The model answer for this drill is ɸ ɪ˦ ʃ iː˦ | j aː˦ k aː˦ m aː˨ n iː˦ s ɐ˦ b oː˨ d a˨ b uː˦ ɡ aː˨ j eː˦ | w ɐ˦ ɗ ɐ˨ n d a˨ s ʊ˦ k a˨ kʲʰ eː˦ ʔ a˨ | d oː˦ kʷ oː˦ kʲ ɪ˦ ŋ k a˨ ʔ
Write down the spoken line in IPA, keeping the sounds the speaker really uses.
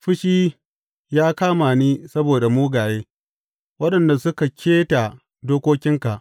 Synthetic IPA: ɸ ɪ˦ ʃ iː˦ | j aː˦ k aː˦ m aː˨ n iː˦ s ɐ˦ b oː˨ d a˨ m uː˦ ɡ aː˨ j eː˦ | w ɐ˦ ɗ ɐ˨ n d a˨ s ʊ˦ k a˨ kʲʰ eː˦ t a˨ | d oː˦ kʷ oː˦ kʲ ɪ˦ ŋ k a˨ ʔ